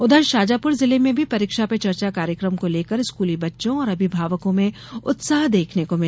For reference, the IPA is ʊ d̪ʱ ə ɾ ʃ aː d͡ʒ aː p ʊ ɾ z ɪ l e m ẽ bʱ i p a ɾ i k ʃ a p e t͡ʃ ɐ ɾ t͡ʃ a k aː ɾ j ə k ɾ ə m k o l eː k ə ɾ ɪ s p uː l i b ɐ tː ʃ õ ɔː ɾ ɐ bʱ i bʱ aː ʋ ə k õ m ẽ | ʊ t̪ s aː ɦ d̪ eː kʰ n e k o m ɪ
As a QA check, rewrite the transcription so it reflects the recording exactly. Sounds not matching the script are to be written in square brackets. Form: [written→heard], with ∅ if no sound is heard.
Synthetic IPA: ʊ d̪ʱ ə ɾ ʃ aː d͡ʒ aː p ʊ ɾ z ɪ l e m ẽ bʱ i p [a→ɐ] ɾ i k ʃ a p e t͡ʃ ɐ ɾ t͡ʃ a k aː ɾ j ə k ɾ ə m k o l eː k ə ɾ ɪ s [p→k] uː l i b ɐ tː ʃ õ ɔː ɾ ɐ bʱ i bʱ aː ʋ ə k õ m ẽ | ʊ t̪ s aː ɦ d̪ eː kʰ n e k o m ɪ